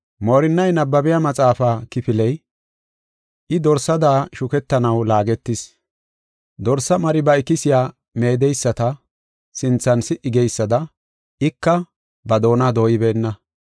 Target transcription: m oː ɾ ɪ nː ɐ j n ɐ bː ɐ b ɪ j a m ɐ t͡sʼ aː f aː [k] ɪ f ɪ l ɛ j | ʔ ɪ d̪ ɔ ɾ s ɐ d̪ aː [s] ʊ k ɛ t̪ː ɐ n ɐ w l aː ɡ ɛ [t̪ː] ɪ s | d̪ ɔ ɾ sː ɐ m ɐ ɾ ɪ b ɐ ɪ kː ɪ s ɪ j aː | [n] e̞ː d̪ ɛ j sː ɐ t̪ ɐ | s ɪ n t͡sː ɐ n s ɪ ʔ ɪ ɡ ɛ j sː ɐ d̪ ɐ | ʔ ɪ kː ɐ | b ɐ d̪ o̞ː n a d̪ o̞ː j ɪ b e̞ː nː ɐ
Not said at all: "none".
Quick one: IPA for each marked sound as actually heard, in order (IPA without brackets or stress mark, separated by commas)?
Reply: k, ʃ, t̪ː, m